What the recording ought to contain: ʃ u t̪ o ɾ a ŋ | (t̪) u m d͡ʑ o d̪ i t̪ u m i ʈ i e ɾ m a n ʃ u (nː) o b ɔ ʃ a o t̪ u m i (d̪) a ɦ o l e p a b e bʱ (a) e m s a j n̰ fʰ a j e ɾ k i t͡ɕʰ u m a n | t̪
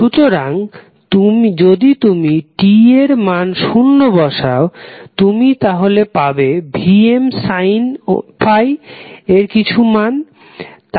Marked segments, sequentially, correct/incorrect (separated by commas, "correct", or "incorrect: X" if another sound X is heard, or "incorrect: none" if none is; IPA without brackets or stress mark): correct, correct, incorrect: t̪, incorrect: i